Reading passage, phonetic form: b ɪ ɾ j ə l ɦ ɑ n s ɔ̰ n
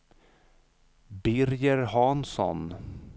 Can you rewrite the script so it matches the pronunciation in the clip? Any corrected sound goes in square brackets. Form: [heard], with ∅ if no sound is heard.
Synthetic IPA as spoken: b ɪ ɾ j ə [ɾ] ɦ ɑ n s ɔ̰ n